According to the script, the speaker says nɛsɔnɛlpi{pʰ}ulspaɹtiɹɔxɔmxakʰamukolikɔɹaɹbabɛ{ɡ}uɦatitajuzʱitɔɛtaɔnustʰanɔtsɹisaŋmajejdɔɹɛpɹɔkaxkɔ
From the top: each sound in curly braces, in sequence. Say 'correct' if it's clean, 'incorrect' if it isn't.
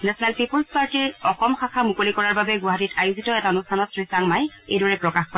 incorrect: p, correct

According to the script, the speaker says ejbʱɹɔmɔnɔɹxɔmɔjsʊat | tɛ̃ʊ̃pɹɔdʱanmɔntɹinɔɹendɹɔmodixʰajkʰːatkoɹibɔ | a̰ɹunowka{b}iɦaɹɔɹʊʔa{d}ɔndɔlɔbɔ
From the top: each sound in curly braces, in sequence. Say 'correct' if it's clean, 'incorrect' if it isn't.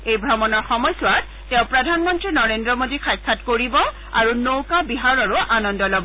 correct, incorrect: n

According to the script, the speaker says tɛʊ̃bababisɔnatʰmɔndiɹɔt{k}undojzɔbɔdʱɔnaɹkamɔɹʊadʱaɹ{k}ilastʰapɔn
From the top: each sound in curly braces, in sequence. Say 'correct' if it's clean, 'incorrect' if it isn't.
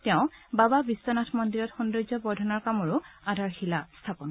incorrect: x, incorrect: x

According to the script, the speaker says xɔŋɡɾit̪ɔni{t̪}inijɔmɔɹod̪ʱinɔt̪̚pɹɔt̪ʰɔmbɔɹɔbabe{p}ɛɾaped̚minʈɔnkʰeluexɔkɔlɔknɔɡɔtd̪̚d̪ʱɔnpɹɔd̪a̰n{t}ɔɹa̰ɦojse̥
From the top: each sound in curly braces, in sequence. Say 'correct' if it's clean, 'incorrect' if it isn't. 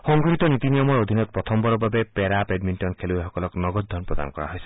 correct, correct, incorrect: k

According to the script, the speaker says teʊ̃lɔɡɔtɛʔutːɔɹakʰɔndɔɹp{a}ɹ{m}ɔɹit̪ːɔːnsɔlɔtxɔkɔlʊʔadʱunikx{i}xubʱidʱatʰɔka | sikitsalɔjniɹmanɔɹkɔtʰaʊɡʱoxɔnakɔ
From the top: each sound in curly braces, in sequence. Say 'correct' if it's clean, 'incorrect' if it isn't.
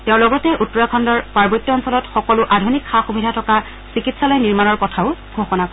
correct, incorrect: b, incorrect: a

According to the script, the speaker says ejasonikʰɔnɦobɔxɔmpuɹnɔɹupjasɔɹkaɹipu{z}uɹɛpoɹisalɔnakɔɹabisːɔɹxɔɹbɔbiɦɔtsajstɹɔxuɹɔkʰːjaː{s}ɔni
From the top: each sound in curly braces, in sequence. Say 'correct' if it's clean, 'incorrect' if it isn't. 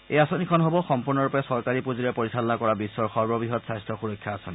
correct, correct

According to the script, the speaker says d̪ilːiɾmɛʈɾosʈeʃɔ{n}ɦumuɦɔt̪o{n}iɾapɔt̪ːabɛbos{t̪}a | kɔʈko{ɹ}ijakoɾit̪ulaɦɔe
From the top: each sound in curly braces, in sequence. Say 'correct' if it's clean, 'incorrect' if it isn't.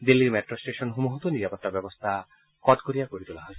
correct, correct, incorrect: t̪ʰ, incorrect: ɾ

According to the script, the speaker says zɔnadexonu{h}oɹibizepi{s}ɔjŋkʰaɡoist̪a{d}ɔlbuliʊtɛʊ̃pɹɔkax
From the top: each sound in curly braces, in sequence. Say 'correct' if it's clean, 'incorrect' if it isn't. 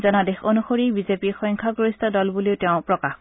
incorrect: x, incorrect: x, correct

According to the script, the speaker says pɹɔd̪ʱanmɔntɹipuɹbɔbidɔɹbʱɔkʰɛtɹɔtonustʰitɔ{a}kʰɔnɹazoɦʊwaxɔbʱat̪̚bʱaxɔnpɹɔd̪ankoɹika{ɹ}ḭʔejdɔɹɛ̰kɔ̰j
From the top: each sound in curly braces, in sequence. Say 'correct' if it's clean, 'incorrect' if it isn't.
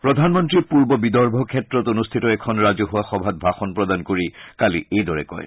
incorrect: ɛ, incorrect: l

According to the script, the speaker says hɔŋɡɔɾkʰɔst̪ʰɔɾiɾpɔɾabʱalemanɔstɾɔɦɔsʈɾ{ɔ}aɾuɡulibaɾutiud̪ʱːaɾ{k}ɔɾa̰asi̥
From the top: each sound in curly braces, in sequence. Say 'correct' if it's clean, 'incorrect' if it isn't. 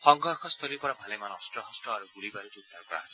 correct, correct

